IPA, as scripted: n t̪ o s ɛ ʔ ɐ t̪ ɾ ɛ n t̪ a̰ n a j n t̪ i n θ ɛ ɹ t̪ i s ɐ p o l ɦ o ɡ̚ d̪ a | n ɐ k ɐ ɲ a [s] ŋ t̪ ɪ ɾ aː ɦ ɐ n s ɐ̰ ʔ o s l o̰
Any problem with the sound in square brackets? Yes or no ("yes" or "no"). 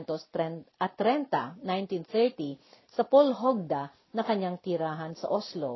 yes